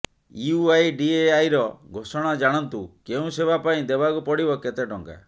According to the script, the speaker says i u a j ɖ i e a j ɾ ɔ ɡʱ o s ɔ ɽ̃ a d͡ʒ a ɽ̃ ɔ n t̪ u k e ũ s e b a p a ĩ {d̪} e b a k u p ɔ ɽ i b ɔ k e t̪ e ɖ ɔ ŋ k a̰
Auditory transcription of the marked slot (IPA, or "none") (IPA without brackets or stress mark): d̪